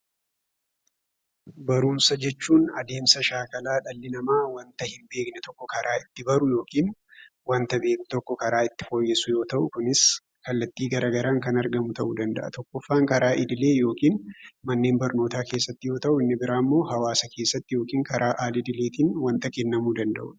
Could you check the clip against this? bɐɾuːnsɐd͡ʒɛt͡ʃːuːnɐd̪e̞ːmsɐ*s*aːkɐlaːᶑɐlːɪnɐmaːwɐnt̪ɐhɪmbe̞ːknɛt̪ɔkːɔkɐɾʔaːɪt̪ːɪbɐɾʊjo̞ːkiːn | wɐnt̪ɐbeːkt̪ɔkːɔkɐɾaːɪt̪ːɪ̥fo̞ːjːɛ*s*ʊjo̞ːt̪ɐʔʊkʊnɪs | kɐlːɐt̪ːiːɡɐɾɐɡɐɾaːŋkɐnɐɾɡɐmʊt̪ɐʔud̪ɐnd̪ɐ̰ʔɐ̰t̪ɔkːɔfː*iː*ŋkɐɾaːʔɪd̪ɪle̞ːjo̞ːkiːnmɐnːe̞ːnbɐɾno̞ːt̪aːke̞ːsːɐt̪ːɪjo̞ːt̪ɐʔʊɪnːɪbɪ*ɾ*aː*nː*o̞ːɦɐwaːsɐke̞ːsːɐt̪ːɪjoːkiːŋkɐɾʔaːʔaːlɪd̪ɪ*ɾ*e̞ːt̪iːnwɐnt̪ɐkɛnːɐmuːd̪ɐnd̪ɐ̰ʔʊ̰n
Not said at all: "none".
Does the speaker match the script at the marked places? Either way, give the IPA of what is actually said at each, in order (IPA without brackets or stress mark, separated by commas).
ʃ, s, aː, ɾ, mː, l